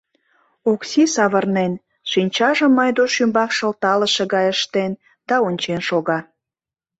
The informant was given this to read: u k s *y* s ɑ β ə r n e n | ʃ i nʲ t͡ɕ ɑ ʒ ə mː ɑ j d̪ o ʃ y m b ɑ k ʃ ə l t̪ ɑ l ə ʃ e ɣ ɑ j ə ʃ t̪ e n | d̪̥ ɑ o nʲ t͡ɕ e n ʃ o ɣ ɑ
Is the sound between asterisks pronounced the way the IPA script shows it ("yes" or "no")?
no